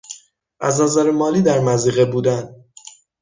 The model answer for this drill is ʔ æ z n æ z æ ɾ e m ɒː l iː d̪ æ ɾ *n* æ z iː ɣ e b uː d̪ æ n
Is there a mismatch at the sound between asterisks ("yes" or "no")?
yes